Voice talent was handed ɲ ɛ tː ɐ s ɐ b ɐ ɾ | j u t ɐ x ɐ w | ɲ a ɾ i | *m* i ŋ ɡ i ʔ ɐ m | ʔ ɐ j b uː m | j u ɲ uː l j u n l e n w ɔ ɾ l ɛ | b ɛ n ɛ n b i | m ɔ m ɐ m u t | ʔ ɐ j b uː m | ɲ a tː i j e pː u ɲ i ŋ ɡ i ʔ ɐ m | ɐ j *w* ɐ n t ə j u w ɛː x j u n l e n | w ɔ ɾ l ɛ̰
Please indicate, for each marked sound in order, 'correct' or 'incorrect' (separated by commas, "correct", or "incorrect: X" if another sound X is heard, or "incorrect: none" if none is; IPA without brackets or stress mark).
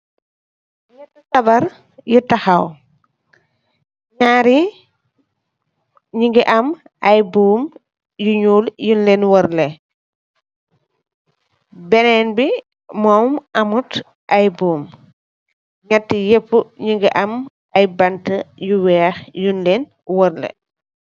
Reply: incorrect: ɲ, incorrect: b